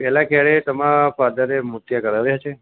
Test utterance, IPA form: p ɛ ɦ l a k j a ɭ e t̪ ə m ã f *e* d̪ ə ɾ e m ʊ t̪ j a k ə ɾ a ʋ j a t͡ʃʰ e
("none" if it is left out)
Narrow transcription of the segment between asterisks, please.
a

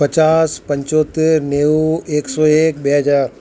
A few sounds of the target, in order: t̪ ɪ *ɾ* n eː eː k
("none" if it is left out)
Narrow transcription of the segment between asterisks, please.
ɾ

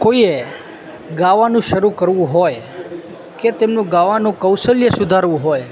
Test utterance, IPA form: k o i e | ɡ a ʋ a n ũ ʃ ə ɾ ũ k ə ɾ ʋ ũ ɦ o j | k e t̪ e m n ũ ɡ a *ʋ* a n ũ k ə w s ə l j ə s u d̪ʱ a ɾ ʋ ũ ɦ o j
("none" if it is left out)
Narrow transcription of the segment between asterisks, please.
ʋ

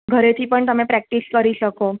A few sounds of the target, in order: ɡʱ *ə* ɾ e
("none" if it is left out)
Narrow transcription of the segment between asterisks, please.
ə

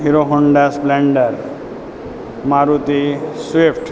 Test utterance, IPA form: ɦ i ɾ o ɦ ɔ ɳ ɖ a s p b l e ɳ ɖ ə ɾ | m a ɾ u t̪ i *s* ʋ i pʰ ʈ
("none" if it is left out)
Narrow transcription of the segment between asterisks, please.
s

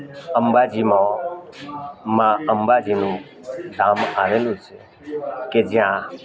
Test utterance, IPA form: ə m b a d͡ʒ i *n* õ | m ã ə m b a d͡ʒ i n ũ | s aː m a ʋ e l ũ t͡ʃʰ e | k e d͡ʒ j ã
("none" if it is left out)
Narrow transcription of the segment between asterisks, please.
m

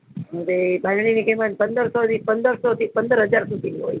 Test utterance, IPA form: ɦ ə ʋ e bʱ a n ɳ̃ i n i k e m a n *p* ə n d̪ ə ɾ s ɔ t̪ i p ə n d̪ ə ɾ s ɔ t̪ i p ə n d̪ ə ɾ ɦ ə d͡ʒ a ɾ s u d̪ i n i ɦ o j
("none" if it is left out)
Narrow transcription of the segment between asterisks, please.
p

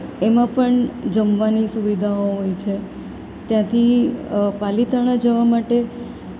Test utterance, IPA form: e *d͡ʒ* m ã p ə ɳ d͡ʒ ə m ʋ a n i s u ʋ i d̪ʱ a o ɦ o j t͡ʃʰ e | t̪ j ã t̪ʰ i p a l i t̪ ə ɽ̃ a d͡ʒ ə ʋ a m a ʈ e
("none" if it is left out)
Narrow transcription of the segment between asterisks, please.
none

